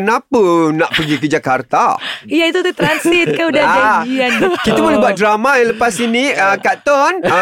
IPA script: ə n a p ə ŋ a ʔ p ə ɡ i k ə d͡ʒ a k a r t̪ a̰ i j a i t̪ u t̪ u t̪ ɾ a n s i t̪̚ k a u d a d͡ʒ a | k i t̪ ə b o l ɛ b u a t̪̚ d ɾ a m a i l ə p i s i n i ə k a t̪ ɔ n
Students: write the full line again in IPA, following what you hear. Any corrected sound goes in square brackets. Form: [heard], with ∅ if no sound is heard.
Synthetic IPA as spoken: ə n a p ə [n] a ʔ p ə ɡ i k ə d͡ʒ a k a r t̪ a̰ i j a i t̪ u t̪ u t̪ ɾ a n s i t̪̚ k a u d a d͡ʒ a | k i t̪ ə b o l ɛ b u a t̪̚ d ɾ a m a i l ə p [a] s i n i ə k a t̪ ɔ n